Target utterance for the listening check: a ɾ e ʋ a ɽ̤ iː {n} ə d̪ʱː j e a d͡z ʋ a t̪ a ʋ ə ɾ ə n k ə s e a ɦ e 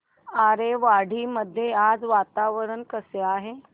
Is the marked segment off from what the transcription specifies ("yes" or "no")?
yes